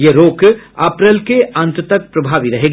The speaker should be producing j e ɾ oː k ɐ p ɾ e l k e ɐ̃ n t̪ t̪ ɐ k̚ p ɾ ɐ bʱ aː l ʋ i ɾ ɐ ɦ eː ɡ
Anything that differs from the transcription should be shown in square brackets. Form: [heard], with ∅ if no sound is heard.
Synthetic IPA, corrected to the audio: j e ɾ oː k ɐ p ɾ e l k e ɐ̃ n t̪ t̪ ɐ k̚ p ɾ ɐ bʱ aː [∅] ʋ i ɾ ɐ ɦ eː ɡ